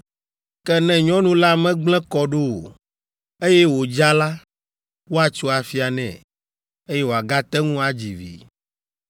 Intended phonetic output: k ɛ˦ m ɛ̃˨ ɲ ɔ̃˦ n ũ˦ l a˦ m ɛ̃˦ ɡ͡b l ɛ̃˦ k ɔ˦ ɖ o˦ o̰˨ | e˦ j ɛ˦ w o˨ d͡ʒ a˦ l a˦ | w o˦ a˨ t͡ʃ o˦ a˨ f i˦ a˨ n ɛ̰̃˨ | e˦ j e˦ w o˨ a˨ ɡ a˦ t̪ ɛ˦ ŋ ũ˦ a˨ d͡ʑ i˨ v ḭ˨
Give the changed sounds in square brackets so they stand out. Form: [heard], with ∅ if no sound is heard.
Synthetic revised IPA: k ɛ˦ [n] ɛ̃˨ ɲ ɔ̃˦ n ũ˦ l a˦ m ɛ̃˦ ɡ͡b l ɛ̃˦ k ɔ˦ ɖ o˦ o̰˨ | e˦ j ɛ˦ w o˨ d͡ʒ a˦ l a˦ | w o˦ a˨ t͡ʃ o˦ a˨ f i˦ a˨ n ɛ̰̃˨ | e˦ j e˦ w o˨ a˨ ɡ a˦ t̪ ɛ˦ ŋ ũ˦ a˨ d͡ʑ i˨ v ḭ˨